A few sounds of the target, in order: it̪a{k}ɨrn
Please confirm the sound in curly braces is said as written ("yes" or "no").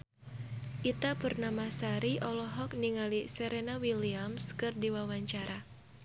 no